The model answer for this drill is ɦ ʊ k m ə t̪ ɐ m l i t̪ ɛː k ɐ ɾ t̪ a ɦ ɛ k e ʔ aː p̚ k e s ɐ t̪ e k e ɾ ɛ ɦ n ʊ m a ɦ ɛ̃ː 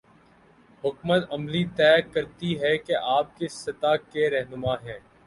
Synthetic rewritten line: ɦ ʊ k m ə t̪ ɐ m l i t̪ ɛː k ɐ ɾ t̪ i ɦ ɛ k e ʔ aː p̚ k e s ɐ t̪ a k e ɾ ɛ ɦ n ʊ m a ɦ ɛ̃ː